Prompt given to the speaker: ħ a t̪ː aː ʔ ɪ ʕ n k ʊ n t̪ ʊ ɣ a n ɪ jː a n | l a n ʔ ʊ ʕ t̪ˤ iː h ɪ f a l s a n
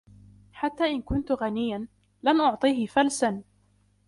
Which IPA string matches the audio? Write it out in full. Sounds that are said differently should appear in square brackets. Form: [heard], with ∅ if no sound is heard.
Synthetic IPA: ħ a t̪ː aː ʔ ɪ [∅] n k ʊ n t̪ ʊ ɣ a n ɪ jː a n | l a n ʔ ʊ ʕ t̪ˤ iː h ɪ f a l s a n